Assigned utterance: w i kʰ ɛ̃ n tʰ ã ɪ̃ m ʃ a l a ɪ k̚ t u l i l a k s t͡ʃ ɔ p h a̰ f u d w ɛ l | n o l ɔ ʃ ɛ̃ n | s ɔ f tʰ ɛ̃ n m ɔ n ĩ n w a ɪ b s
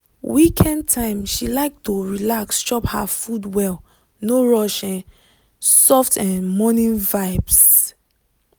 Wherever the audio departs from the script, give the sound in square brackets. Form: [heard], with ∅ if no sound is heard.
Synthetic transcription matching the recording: w i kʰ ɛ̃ n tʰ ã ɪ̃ m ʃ [i] l a ɪ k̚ t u [ɹ] i l a k s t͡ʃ ɔ p h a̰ f u d w ɛ l | n o [ɹ] ɔ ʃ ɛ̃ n | s ɔ f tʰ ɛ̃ n m ɔ n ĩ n [v] a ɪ b s